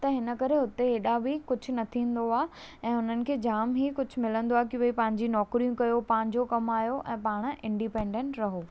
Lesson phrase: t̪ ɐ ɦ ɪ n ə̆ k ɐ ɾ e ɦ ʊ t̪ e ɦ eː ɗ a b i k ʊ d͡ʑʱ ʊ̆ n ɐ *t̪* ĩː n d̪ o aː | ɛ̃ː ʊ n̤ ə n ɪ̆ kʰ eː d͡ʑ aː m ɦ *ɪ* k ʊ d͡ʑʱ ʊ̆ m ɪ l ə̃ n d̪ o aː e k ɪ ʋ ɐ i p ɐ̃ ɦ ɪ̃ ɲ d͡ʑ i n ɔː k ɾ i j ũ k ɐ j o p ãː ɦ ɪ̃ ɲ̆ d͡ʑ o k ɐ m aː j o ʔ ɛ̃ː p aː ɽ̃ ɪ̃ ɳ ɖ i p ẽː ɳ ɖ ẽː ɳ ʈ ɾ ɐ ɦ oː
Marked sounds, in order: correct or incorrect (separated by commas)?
incorrect, incorrect